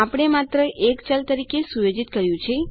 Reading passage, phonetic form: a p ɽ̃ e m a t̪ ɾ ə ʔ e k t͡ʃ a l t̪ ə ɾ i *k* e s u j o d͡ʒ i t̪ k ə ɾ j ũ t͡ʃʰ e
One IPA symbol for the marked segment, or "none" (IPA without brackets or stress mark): k